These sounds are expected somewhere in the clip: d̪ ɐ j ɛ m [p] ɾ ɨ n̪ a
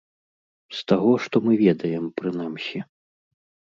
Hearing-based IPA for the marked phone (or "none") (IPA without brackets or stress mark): p